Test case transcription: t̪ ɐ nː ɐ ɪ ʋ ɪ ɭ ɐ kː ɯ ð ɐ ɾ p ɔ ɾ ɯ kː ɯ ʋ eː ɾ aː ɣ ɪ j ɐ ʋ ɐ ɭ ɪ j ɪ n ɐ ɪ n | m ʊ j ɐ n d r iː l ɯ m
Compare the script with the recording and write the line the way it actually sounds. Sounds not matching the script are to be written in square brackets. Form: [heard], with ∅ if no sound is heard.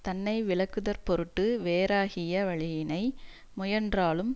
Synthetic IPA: t̪ ɐ nː ɐ ɪ ʋ ɪ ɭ ɐ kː ɯ ð ɐ ɾ p ɔ ɾ ɯ [ʈː] ɯ ʋ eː ɾ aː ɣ ɪ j ɐ ʋ ɐ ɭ ɪ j ɪ n ɐ ɪ [∅] | m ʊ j ɐ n d r [aː] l ɯ m